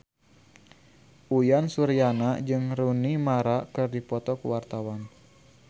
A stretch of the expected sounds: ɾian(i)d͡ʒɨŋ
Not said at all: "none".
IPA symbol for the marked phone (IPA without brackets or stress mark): a